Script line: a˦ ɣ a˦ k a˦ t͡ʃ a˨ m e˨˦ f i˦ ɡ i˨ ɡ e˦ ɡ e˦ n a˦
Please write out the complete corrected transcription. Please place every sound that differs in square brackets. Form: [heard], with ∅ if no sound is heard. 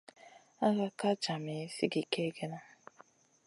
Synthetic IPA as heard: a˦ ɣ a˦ k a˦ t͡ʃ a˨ m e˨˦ [s] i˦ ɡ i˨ [k] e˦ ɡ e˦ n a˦